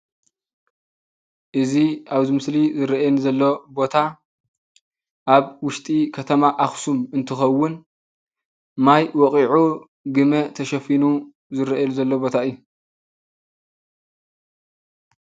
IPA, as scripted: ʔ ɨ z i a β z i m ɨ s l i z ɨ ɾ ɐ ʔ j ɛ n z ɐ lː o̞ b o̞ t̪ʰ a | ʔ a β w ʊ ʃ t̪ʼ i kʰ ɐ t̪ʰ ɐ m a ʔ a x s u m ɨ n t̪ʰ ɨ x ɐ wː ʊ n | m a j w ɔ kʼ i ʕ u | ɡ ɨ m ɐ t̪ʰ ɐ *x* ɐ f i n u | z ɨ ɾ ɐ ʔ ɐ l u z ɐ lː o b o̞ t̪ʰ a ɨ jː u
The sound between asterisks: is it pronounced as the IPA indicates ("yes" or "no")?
no